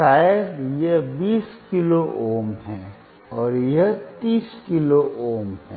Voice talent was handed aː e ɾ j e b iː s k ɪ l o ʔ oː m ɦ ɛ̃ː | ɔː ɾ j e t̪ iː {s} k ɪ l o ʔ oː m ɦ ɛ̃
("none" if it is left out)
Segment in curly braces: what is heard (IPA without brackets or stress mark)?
s